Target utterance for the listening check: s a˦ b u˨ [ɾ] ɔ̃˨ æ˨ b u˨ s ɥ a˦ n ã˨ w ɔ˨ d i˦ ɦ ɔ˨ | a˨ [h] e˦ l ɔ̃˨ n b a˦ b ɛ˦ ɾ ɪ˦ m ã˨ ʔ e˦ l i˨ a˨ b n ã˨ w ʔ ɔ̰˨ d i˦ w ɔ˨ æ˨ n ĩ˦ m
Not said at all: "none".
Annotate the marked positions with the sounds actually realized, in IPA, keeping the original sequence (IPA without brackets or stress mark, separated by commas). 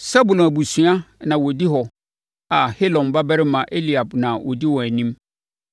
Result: l, h